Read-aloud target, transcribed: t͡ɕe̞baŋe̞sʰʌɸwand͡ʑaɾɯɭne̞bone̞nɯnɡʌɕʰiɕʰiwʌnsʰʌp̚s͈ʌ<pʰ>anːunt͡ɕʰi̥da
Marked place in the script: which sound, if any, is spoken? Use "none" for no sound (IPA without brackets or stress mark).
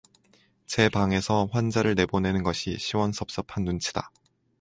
pʰ